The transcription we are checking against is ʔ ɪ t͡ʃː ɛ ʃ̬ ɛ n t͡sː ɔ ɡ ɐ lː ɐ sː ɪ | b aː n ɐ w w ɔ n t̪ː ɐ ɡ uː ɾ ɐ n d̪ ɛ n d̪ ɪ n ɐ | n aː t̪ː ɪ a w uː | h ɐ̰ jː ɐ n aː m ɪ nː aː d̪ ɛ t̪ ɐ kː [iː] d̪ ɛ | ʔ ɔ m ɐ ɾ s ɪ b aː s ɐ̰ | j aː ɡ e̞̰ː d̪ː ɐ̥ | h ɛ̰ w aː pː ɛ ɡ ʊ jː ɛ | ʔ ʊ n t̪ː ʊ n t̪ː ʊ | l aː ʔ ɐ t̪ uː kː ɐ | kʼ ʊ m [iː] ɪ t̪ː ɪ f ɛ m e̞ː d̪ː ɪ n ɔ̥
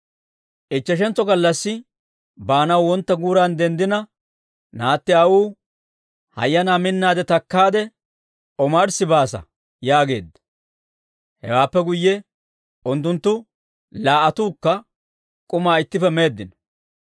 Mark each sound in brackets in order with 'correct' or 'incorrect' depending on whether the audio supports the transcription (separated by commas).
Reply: incorrect, incorrect